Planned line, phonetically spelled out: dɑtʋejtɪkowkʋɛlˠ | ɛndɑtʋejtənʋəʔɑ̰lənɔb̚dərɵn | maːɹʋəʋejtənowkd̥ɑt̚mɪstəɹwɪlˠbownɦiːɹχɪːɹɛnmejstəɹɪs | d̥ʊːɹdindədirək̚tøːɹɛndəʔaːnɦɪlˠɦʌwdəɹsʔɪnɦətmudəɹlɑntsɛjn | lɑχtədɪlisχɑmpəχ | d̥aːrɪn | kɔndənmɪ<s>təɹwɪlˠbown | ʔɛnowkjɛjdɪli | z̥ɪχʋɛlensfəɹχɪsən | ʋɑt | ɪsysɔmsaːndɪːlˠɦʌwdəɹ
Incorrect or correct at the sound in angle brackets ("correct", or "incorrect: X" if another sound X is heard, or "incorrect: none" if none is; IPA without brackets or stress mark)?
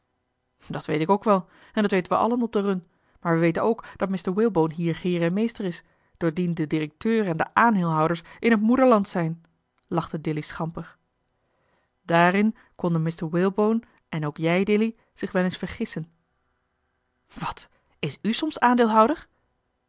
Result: correct